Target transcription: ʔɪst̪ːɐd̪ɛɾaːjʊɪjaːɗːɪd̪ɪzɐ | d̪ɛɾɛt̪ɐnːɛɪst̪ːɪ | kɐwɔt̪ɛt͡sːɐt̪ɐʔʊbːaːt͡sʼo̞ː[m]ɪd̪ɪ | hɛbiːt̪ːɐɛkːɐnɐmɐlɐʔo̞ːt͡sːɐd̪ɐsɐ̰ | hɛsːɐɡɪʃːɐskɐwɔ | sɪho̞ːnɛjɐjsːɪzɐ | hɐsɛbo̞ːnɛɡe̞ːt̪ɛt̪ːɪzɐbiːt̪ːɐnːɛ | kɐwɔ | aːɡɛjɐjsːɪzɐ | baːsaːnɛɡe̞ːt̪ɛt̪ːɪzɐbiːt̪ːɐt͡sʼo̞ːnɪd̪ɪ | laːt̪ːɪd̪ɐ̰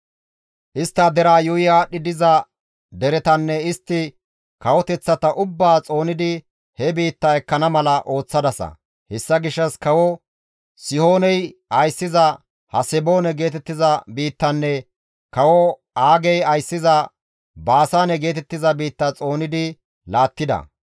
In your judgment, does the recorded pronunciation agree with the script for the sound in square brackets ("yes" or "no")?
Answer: no